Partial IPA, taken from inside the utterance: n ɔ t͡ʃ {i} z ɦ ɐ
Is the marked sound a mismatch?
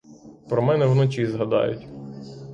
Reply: no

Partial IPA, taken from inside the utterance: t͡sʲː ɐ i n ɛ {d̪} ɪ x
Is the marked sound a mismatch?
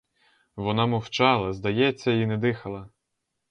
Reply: no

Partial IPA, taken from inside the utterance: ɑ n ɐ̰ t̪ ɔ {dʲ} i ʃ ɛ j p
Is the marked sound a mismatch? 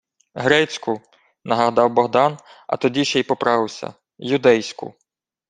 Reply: no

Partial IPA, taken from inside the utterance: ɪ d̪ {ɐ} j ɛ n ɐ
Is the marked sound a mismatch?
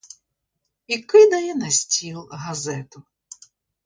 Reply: no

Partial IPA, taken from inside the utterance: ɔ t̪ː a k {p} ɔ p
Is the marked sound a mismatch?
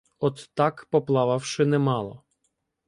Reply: no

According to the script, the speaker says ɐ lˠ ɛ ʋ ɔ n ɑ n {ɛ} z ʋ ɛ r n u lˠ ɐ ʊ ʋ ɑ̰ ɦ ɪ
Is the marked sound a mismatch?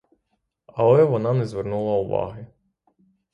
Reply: no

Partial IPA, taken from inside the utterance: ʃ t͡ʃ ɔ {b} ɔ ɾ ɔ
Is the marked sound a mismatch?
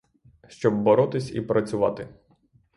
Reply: yes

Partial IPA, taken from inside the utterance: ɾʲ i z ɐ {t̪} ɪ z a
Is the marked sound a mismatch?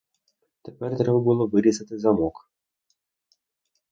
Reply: no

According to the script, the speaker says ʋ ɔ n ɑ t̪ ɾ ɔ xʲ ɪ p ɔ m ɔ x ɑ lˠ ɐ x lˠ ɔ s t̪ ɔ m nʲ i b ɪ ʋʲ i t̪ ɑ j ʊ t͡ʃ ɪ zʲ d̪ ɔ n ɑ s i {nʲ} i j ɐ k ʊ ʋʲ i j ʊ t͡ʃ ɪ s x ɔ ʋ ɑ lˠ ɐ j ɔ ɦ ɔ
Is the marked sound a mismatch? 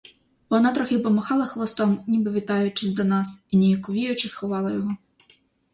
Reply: no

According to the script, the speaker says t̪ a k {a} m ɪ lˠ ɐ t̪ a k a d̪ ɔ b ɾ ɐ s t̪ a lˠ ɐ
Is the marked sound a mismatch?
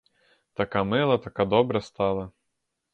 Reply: no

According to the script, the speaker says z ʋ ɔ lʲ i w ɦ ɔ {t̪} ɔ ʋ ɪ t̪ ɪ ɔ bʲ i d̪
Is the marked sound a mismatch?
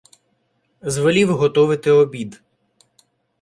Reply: no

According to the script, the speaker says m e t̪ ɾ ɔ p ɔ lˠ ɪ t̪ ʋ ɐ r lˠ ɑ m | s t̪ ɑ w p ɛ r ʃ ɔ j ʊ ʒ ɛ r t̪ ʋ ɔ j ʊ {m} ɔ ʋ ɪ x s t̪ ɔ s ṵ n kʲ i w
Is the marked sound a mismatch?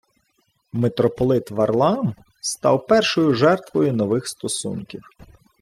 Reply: yes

